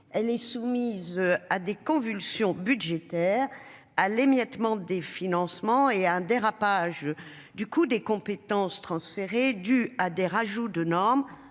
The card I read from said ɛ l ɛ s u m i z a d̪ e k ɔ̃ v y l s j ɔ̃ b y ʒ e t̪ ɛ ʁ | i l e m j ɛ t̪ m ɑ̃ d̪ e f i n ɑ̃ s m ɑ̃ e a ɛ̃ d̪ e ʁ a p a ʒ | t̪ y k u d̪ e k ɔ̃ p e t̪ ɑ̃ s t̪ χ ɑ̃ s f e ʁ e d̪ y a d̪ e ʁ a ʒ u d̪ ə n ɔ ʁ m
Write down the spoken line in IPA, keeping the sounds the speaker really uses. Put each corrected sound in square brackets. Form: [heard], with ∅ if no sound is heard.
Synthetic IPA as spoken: ɛ l ɛ s u m i z a d̪ e k ɔ̃ v y l s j ɔ̃ b y ʒ e t̪ ɛ ʁ | [a] l e m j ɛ t̪ m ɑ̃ d̪ e f i n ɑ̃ s m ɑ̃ e a ɛ̃ d̪ e ʁ a p a ʒ | [d̪] y k u d̪ e k ɔ̃ p e t̪ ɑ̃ s t̪ χ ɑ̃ s f e ʁ e d̪ y a d̪ e ʁ a ʒ u d̪ ə n ɔ ʁ m